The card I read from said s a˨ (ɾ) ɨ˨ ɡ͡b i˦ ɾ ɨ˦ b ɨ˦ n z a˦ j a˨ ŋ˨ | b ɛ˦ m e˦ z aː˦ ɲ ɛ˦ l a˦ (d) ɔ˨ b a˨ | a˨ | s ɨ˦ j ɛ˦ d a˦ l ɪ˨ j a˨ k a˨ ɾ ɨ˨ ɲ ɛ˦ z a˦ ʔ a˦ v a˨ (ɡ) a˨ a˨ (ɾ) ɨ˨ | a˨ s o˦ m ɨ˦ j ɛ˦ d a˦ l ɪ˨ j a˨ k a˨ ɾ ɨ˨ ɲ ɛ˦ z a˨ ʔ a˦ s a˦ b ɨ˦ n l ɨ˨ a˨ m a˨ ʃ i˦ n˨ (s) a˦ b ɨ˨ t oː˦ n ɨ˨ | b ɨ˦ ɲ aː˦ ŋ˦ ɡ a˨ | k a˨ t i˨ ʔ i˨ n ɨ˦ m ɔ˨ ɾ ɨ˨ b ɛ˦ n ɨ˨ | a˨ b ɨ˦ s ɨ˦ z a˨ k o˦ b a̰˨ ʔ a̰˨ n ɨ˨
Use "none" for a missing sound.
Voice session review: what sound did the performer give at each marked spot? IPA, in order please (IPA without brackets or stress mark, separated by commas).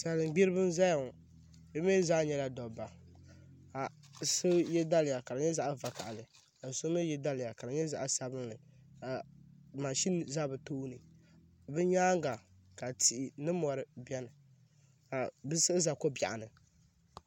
l, d, k, l, z